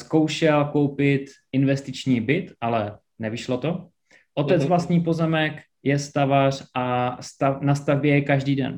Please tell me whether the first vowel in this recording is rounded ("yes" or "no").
yes